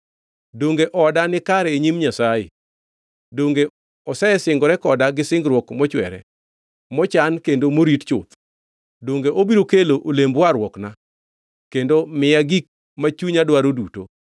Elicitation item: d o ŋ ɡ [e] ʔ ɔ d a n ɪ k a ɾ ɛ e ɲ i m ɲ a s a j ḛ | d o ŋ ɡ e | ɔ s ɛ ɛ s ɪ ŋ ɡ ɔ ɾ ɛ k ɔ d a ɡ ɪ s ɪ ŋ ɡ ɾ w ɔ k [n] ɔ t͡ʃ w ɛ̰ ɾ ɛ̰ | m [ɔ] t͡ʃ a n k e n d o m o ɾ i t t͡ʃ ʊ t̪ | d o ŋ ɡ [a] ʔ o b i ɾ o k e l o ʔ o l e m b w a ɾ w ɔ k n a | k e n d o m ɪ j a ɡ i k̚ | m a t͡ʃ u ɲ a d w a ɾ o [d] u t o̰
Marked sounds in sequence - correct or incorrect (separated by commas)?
correct, incorrect, correct, incorrect, correct